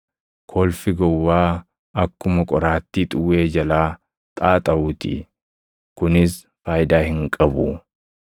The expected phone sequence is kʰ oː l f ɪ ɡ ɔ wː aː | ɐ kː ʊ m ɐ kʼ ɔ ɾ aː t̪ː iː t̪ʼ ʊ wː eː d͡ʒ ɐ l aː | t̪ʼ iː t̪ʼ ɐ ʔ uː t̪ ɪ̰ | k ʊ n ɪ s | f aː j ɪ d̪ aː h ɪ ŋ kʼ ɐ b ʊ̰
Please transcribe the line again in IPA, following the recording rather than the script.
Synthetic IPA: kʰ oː l f ɪ ɡ ɔ wː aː | ɐ kː ʊ m ɐ kʼ ɔ ɾ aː t̪ː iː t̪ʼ ʊ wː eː d͡ʒ ɐ l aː | t̪ʼ aː t̪ʼ ɐ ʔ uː t̪ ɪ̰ | k ʊ n ɪ s | f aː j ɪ d̪ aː h ɪ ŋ kʼ ɐ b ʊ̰